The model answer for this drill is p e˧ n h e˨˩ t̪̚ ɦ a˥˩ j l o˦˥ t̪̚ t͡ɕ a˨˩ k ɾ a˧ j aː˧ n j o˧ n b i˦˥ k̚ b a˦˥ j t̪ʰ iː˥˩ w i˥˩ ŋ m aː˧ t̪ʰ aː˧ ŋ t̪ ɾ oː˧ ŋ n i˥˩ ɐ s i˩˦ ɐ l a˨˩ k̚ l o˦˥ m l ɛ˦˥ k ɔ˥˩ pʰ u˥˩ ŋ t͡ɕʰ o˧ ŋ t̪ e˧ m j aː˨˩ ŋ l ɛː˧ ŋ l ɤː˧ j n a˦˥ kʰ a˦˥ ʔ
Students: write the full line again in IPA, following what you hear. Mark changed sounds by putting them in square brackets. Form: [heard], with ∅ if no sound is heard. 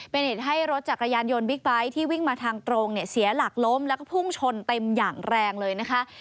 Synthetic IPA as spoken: p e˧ n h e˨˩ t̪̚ ɦ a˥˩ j [ɾ] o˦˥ t̪̚ t͡ɕ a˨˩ k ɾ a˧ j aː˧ n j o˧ n b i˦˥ k̚ b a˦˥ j t̪ʰ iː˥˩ w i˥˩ ŋ m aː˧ t̪ʰ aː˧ ŋ t̪ ɾ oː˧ ŋ n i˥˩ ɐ s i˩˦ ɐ l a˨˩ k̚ l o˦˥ m l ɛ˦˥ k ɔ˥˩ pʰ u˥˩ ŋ t͡ɕʰ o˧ [n] t̪ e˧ m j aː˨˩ ŋ [ɾ] ɛː˧ ŋ l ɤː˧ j n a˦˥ kʰ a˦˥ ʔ